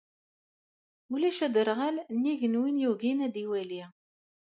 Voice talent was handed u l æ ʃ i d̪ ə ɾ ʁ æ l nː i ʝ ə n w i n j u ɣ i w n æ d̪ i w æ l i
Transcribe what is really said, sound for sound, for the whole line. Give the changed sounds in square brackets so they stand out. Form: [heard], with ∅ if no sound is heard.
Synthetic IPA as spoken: u l æ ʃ [æ] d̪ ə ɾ ʁ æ l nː i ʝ ə n w i n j u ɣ i [∅] n æ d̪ i w æ l i